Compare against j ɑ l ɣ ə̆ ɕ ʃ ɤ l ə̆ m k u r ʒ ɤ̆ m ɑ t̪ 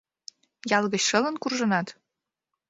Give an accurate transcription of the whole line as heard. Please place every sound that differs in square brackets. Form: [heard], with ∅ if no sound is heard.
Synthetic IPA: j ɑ l ɣ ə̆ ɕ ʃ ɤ l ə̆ [n] k u r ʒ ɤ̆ [n] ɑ t̪